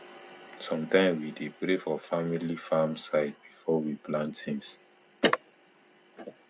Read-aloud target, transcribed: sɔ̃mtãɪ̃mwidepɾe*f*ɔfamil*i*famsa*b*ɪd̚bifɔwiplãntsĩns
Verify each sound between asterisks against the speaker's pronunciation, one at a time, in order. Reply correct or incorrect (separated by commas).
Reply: correct, correct, incorrect